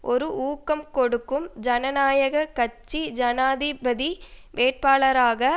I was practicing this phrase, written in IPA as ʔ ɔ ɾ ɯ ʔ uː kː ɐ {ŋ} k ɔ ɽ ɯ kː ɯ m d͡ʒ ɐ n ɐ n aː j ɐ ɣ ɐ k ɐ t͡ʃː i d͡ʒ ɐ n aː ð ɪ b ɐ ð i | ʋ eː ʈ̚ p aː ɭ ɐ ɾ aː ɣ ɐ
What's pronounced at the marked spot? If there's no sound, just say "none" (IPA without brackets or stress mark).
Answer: m